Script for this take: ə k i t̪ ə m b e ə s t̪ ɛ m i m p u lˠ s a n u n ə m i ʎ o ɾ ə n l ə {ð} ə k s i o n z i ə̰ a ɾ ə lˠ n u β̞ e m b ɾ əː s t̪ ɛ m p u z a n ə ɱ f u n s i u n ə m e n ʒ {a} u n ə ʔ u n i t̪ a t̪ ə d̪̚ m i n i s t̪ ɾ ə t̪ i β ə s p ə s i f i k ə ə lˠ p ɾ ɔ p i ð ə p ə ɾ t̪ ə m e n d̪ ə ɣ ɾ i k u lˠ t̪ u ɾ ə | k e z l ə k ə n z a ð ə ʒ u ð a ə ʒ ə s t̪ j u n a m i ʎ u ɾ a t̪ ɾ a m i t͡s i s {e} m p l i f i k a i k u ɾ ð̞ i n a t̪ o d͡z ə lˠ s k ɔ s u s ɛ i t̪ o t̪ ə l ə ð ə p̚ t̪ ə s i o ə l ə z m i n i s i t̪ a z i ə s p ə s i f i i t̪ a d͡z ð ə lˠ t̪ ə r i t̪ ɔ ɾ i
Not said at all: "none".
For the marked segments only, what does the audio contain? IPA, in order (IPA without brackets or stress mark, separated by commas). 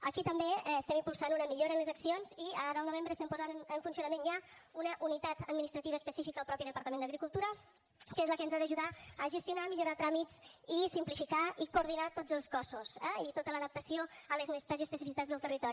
z, a, i